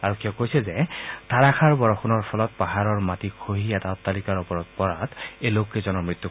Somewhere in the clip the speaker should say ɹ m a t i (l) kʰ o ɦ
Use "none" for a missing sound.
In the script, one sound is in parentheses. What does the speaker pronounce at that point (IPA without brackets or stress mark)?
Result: none